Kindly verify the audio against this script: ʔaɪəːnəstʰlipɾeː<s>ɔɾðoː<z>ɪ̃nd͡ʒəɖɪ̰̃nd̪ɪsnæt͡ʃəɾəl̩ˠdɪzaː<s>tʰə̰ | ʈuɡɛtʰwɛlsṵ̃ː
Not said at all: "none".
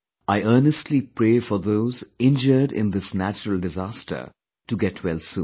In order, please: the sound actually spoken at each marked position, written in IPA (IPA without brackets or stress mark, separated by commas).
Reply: f, z, s